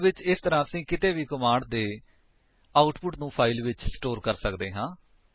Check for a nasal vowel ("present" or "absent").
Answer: present